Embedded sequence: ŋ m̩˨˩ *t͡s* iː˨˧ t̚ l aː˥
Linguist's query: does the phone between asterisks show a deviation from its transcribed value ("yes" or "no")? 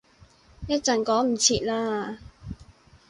yes